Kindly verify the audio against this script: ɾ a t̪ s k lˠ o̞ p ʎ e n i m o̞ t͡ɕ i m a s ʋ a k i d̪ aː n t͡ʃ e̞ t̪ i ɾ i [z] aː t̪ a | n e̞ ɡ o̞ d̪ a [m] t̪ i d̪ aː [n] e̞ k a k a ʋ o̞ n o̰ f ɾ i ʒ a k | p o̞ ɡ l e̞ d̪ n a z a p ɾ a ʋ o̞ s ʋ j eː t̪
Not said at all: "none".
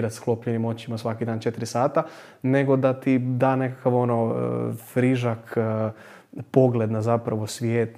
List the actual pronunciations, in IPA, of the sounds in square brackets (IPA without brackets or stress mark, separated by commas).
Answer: s, none, n